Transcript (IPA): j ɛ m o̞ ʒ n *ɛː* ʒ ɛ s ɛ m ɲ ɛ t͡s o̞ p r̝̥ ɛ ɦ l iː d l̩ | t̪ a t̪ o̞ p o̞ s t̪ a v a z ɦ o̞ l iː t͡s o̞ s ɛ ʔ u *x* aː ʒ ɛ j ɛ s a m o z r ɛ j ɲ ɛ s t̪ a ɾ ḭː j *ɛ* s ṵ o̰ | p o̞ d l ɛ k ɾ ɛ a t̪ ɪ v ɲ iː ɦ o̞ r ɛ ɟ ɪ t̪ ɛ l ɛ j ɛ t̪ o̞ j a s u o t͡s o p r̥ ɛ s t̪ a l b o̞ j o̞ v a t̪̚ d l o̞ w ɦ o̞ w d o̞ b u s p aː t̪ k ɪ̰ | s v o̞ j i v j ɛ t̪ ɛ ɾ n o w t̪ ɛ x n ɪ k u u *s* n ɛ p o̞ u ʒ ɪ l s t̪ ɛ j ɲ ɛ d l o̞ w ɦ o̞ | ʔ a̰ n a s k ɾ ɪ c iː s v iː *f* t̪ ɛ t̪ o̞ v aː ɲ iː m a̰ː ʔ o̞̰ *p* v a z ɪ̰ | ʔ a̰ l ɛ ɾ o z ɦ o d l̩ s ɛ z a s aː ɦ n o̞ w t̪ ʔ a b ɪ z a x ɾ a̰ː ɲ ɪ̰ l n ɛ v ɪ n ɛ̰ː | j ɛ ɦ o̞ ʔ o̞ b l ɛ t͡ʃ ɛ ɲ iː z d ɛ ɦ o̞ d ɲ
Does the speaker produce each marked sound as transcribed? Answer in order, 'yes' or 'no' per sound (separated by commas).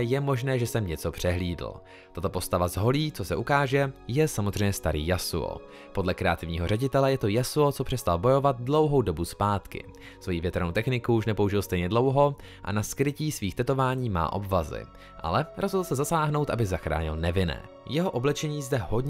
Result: yes, no, no, no, no, no